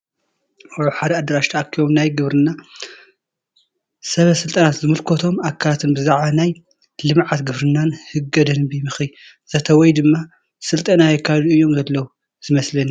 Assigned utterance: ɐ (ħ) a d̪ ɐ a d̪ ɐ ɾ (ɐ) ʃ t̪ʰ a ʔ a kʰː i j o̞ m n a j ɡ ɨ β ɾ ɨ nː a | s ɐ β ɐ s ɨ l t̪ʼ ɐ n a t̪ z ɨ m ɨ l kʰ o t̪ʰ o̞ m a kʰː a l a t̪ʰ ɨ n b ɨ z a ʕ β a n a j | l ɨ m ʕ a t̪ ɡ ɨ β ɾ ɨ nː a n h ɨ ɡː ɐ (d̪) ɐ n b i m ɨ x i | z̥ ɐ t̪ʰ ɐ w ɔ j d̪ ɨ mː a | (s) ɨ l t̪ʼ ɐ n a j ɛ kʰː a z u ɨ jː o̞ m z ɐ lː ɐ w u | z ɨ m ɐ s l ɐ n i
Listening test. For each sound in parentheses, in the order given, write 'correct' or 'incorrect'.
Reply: correct, incorrect: a, correct, correct

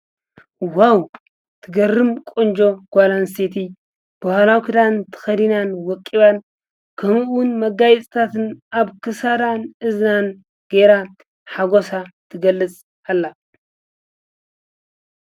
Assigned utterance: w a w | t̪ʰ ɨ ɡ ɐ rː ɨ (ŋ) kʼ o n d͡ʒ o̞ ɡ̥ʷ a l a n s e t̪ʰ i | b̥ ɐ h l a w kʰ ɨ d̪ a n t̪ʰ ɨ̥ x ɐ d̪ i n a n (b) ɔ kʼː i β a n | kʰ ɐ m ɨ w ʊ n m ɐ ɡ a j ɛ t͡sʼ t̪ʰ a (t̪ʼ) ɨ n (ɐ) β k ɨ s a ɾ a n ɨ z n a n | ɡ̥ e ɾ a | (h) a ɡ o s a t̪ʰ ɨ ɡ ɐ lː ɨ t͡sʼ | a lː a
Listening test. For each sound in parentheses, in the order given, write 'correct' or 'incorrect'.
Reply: incorrect: m, incorrect: w, incorrect: t̪, incorrect: a, incorrect: ħ

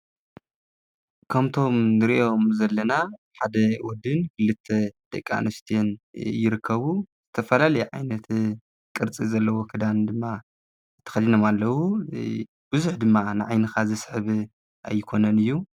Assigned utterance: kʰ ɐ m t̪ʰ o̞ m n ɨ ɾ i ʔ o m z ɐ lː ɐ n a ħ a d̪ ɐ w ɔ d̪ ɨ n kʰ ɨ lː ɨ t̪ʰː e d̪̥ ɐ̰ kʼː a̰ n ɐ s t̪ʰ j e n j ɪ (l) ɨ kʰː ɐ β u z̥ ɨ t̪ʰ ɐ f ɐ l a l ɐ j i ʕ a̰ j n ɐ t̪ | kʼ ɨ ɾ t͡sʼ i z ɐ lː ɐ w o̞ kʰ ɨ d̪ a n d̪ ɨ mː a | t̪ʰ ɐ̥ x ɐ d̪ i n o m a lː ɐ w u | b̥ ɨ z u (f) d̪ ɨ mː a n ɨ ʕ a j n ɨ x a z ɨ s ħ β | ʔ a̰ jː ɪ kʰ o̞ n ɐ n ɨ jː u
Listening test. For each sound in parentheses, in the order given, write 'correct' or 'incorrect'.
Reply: incorrect: ɾ, incorrect: ħ

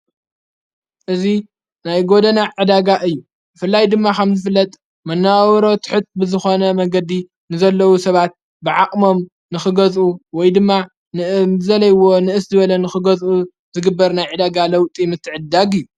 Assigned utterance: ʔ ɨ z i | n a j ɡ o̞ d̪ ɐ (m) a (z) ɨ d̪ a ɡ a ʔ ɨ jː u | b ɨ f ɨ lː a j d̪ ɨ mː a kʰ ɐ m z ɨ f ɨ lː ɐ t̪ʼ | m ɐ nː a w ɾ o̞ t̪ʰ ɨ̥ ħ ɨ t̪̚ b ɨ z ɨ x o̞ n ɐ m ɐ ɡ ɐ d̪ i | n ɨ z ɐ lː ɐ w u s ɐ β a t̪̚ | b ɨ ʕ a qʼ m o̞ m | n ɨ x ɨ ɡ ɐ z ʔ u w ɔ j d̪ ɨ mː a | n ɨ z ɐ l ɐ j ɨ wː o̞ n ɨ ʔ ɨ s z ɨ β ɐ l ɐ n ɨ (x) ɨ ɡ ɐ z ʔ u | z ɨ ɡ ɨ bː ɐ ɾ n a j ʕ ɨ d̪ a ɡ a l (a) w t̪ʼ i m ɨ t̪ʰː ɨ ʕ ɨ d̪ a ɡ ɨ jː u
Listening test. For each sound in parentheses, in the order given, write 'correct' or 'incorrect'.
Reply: incorrect: n, incorrect: ʕ, correct, incorrect: ɐ

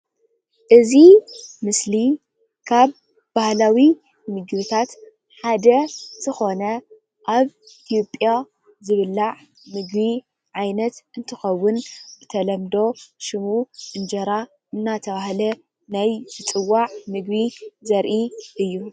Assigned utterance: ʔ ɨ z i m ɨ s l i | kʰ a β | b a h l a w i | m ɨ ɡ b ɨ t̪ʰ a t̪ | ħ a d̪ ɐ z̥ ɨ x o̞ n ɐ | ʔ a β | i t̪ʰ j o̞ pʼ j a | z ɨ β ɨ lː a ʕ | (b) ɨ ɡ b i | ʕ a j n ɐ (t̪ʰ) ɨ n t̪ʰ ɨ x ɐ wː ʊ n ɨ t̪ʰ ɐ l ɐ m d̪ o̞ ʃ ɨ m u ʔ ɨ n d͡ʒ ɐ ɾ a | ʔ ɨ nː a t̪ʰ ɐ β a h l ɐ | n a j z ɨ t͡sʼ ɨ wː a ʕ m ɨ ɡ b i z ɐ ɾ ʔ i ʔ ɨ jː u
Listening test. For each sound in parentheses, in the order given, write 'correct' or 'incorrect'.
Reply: incorrect: m, incorrect: t̪

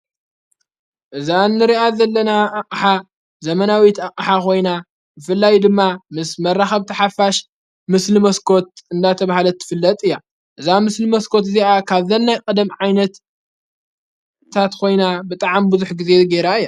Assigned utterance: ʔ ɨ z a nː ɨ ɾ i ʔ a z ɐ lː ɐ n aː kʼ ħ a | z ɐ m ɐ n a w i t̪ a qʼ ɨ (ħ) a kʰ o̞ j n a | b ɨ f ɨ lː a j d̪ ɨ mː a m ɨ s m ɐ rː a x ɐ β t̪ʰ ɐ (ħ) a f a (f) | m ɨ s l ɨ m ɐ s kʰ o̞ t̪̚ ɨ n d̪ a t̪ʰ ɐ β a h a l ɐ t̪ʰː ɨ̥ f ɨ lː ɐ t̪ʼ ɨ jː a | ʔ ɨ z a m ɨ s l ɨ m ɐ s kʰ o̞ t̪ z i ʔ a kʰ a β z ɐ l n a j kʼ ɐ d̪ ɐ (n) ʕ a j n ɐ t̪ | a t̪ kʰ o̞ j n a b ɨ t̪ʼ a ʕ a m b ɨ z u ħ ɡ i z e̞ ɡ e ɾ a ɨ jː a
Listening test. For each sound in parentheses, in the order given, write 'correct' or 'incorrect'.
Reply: correct, correct, incorrect: ʃ, incorrect: m

